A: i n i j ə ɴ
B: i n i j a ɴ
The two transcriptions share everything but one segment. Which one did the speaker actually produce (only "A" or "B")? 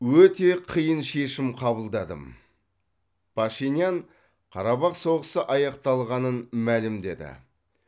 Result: B